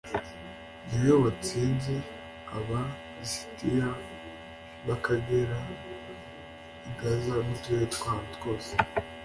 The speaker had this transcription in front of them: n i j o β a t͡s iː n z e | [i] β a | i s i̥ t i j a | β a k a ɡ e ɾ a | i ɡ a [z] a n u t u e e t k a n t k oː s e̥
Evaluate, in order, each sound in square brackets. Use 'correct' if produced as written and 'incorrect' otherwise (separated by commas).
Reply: incorrect, correct